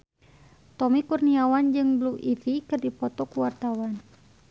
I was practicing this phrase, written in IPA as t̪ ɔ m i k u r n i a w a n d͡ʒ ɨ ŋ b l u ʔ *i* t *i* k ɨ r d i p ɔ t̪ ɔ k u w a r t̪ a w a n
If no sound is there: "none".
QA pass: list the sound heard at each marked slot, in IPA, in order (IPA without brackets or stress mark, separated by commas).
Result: i, i